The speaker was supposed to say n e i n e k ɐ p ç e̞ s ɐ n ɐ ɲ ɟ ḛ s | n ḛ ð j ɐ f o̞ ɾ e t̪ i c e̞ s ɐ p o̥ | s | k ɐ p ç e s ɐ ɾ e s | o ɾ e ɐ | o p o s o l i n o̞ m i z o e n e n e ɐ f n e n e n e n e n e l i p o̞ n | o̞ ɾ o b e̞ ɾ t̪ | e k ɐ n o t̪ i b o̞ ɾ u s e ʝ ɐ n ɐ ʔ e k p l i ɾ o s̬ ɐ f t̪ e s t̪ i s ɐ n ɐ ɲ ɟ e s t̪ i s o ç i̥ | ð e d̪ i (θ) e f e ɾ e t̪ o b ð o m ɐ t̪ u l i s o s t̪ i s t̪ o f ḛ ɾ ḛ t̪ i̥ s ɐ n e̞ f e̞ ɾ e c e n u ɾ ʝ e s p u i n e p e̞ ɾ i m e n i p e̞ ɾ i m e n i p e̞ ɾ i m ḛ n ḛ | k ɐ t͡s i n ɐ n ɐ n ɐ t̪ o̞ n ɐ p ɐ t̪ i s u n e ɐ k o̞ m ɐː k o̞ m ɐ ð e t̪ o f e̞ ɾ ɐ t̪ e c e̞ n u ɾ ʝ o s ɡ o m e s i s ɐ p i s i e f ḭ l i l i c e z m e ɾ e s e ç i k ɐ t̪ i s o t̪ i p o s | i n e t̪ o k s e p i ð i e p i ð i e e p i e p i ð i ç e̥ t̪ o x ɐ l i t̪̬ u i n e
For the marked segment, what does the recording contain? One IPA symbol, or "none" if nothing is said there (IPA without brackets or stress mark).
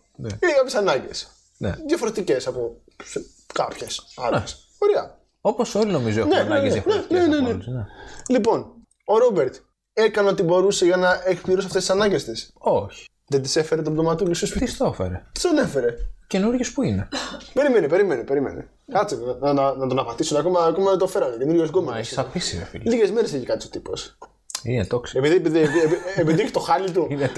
s